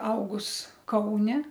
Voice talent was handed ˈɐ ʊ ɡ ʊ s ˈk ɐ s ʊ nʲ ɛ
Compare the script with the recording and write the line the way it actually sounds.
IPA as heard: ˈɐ ʊ ɡ ʊ s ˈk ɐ ʊ nʲ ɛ